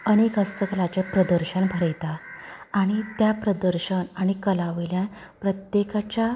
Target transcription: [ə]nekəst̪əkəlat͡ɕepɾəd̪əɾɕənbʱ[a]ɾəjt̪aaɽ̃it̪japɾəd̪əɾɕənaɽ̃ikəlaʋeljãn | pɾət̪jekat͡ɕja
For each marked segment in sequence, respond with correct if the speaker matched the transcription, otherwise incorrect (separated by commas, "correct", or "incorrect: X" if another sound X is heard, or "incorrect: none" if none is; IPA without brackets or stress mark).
correct, incorrect: ə